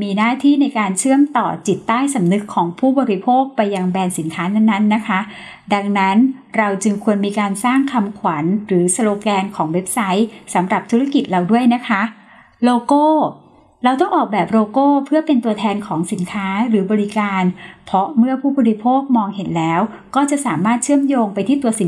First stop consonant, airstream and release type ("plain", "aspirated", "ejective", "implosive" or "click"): aspirated